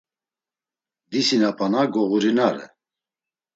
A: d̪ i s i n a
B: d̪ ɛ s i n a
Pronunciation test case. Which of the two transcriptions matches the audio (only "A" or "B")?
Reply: A